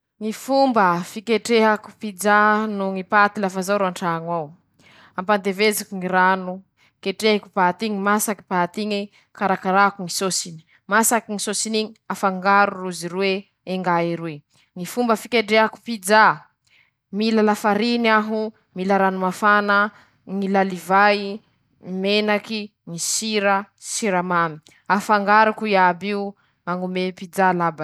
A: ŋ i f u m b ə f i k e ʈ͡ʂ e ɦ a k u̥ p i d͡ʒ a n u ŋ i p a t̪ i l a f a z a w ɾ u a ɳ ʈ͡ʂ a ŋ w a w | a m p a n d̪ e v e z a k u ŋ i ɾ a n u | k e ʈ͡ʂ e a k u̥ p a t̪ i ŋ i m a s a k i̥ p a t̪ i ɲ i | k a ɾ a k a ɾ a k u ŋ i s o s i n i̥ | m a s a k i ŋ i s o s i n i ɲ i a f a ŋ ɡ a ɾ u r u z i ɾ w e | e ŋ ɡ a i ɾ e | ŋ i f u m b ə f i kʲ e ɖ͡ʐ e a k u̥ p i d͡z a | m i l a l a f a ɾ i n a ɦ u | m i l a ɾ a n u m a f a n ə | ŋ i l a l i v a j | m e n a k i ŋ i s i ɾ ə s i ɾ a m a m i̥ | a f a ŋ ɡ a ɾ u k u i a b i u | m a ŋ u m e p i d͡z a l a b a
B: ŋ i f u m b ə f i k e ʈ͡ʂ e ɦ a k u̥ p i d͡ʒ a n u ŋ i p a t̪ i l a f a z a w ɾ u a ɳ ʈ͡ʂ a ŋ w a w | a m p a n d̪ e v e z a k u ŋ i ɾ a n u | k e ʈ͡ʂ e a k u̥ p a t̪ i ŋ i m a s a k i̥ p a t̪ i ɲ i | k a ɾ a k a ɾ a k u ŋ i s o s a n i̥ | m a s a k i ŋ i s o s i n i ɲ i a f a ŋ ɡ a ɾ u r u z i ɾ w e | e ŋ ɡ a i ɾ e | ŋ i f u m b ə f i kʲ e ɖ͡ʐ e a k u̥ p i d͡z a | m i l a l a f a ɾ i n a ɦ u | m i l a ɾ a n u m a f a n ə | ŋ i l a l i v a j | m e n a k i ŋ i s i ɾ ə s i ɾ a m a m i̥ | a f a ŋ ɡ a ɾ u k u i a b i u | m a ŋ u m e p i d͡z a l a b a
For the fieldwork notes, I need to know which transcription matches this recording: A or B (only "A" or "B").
A